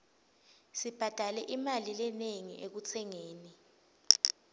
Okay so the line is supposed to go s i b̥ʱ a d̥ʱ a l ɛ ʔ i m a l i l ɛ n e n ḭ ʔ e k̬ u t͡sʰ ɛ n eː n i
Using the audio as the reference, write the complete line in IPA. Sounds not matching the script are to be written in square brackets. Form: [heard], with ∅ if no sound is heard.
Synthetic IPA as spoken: s i b̥ʱ a d̥ʱ a l ɛ ʔ i m a l i l ɛ n e [ŋ] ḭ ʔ e k̬ u t͡sʰ ɛ [ŋ] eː n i